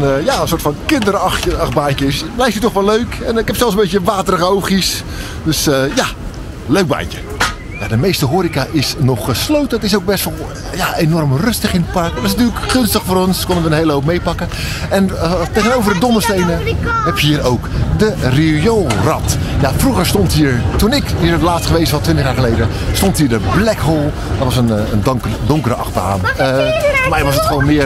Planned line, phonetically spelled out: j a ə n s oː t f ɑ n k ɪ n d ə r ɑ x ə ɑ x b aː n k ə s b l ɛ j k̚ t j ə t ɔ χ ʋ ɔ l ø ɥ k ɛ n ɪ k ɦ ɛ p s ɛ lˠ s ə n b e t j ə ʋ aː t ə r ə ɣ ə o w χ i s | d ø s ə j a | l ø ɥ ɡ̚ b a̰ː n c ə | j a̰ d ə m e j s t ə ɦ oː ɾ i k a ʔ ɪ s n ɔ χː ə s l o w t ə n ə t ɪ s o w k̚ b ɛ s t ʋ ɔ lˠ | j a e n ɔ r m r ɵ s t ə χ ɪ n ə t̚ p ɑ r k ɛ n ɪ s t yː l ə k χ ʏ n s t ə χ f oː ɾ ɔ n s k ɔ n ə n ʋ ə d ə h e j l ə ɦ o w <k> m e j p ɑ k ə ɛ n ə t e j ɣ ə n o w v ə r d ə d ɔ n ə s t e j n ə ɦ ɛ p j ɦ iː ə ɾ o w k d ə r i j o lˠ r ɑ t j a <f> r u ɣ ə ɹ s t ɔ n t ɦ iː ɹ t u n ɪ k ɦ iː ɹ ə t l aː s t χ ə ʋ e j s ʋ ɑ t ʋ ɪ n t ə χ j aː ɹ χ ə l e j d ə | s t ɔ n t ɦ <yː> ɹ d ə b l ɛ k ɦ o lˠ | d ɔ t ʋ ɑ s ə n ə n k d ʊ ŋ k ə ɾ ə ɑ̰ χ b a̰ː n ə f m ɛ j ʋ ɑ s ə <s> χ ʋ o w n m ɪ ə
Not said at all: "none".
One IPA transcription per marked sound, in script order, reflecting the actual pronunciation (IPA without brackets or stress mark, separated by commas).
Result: p, f, iː, t